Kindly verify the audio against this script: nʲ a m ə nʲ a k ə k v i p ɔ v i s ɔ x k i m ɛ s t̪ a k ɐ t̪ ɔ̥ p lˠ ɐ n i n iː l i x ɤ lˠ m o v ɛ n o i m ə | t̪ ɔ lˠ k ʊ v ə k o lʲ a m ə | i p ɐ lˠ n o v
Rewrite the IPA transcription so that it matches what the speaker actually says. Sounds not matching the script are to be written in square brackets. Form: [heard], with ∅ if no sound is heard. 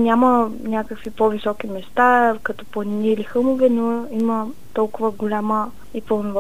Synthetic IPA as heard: nʲ a m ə nʲ a k ə k v i p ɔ v i s ɔ [∅] k i m ɛ s t̪ a k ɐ t̪ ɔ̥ p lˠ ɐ n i n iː l i x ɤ lˠ m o v ɛ n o i m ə | t̪ ɔ lˠ k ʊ v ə [ɡ] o lʲ a m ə | i p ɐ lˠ n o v